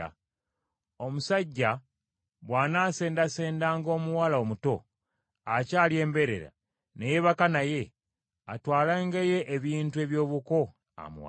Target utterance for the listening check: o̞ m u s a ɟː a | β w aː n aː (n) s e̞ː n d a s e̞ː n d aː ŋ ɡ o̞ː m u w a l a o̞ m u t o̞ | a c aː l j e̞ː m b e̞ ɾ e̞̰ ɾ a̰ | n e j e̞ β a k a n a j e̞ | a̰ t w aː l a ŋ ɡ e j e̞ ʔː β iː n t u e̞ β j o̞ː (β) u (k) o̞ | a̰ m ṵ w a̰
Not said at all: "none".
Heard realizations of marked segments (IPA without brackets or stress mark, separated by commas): none, β, k